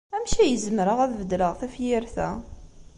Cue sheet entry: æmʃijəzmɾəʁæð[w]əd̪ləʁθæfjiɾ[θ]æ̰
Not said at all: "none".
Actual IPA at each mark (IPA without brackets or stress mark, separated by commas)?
v, θ